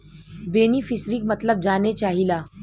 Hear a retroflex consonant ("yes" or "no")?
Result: no